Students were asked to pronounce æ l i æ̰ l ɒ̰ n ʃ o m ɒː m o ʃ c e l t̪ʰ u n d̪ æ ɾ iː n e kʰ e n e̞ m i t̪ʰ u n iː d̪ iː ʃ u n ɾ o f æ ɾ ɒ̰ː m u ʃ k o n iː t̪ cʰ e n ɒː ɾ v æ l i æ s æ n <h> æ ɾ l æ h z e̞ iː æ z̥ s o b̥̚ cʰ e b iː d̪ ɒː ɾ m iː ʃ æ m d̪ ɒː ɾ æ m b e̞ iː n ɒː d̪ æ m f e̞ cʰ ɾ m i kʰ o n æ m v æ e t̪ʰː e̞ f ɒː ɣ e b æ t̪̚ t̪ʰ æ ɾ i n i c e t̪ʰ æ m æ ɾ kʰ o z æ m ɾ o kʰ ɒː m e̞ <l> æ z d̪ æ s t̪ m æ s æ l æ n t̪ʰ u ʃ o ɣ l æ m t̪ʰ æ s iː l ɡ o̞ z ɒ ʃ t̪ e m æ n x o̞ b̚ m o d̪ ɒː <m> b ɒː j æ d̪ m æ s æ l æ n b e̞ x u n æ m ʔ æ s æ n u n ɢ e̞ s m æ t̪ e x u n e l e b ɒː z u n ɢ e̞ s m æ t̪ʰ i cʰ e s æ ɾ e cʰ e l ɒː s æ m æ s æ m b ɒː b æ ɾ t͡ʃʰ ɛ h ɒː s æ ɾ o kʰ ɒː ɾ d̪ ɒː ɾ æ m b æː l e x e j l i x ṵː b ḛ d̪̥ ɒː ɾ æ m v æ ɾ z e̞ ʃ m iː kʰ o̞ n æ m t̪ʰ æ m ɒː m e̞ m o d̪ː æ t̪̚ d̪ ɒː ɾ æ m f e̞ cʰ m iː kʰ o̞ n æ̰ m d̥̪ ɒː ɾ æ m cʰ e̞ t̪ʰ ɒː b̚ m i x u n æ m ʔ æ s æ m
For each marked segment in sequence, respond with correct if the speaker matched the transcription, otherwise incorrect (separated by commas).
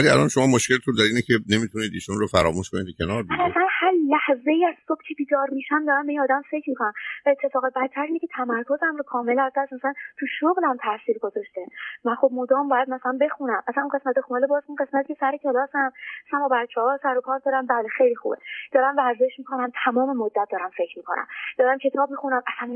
correct, correct, correct